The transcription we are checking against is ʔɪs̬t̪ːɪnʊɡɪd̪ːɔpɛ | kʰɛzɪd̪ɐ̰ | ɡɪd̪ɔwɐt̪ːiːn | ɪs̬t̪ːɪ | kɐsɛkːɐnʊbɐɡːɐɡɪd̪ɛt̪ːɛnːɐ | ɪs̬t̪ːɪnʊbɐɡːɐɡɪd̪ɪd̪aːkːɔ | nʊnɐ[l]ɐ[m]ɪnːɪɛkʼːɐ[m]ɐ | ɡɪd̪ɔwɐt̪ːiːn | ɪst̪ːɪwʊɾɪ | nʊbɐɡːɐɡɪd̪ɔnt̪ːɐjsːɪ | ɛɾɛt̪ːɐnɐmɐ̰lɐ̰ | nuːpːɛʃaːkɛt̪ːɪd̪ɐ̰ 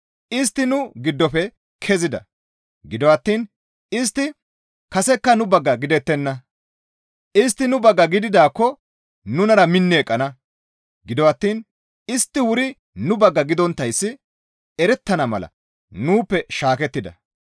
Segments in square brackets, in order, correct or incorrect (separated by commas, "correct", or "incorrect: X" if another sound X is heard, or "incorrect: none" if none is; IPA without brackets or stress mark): incorrect: ɾ, correct, incorrect: n